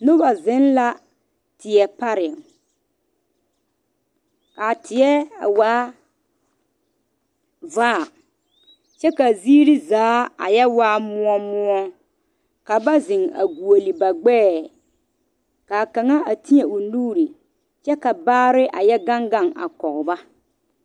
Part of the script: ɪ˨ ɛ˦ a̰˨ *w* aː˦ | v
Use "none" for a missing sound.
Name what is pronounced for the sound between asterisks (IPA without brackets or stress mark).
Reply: w